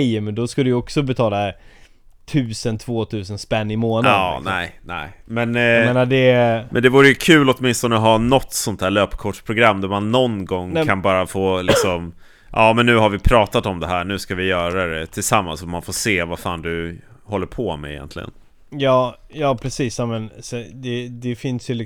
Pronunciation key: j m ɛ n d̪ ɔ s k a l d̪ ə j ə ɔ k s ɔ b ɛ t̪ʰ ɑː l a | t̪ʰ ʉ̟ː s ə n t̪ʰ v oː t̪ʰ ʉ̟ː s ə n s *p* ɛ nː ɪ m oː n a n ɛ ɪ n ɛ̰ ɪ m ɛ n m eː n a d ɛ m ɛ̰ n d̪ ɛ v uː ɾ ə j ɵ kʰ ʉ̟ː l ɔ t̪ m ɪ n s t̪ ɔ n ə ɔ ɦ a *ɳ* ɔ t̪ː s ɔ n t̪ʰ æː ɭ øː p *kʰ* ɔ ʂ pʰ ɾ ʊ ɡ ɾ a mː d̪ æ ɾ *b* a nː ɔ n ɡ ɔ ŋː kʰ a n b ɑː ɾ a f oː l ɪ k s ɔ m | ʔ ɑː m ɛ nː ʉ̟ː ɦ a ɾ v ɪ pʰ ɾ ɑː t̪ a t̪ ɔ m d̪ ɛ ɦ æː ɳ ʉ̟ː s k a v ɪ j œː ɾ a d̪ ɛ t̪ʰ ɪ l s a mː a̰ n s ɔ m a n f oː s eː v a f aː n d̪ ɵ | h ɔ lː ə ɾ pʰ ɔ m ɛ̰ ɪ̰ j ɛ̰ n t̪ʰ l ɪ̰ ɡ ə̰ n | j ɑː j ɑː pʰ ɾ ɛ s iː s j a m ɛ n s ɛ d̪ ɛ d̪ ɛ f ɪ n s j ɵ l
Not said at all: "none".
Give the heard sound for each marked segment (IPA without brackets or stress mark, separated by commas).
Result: p, n, kʰ, m